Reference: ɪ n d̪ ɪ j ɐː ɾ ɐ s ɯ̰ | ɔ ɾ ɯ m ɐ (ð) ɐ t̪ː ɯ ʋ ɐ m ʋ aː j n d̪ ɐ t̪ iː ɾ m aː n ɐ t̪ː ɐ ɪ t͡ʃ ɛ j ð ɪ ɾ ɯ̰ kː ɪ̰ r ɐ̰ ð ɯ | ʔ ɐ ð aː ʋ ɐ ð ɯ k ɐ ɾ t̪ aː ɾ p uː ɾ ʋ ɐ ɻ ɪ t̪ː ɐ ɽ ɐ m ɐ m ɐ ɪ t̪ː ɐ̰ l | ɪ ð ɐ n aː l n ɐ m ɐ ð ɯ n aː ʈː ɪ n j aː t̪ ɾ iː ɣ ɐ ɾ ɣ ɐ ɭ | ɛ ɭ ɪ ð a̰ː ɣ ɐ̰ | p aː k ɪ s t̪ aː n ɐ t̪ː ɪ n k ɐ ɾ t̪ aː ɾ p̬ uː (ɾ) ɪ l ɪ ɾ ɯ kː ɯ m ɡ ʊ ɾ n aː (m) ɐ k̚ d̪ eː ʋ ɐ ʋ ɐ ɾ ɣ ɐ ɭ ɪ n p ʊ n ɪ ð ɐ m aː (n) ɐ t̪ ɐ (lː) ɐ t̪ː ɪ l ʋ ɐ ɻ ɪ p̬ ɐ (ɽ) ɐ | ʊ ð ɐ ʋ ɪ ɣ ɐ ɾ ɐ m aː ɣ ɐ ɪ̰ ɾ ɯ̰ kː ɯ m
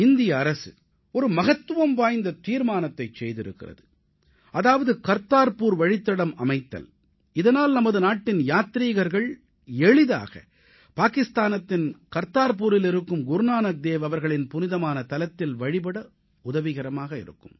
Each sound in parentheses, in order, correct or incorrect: incorrect: ɣ, correct, incorrect: n, correct, incorrect: l, correct

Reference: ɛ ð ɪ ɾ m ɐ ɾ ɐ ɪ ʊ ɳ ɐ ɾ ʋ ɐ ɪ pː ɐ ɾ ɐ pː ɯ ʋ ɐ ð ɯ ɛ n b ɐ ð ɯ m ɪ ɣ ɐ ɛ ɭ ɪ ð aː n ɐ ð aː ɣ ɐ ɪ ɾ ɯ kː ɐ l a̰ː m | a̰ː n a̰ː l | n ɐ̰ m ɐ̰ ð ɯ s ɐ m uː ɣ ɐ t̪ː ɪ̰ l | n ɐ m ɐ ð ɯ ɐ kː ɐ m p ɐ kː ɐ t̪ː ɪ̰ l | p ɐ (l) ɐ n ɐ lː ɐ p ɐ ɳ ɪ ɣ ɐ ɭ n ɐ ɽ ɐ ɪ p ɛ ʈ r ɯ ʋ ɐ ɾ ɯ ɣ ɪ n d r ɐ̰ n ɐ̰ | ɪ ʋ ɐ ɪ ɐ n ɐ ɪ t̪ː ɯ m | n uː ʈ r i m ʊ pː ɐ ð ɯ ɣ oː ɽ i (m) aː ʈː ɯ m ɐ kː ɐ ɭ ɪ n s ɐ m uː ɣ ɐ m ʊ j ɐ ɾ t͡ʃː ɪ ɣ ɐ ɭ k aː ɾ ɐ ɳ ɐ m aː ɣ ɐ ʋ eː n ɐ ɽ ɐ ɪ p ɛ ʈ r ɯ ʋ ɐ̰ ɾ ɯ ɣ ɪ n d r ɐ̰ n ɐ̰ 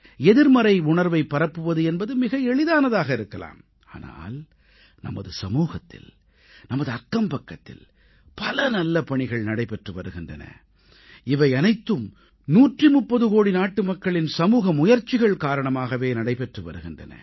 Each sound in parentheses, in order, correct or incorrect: correct, incorrect: n

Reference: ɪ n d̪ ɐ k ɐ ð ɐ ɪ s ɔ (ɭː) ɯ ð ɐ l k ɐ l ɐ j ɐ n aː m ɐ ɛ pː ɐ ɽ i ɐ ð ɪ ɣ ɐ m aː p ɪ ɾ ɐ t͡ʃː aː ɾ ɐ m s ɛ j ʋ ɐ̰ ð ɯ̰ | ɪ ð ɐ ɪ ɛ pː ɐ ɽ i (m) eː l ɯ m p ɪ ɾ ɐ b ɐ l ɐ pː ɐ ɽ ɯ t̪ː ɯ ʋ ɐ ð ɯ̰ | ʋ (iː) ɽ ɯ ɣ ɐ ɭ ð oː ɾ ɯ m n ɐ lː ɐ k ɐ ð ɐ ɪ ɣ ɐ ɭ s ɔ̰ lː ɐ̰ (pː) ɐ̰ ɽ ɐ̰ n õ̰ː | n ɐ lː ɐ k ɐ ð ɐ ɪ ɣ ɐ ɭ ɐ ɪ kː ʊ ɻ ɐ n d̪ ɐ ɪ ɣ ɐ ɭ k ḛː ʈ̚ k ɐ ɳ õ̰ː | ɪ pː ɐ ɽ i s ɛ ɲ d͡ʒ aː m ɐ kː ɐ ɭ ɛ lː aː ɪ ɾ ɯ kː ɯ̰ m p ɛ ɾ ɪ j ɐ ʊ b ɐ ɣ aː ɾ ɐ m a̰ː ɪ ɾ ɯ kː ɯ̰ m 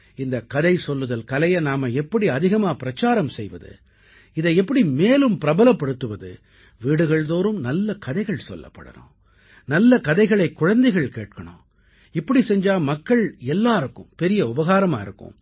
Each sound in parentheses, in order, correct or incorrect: incorrect: lː, correct, correct, correct

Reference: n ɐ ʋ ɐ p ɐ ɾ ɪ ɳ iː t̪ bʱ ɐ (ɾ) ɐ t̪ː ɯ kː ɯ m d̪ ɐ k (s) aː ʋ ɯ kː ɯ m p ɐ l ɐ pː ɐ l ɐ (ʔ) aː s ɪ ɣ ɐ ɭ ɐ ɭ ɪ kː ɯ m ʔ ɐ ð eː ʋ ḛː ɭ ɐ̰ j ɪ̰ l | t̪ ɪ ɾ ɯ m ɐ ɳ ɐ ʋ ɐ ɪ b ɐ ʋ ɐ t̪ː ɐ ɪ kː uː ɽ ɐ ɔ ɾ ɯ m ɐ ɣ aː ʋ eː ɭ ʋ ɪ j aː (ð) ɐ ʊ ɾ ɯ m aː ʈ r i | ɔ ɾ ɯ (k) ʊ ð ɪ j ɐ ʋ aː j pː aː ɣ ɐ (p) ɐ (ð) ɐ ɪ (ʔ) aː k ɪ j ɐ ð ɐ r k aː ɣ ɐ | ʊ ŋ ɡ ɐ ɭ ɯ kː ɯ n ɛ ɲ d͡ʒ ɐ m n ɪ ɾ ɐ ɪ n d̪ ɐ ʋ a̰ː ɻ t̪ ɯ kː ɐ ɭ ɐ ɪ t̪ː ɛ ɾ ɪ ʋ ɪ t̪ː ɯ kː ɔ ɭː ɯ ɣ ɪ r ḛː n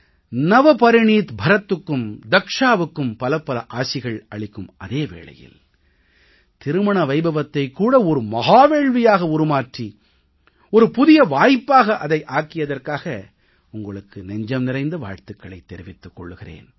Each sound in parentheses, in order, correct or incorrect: correct, incorrect: ʂ, correct, incorrect: ɣ, incorrect: p, incorrect: ʔ, correct, correct

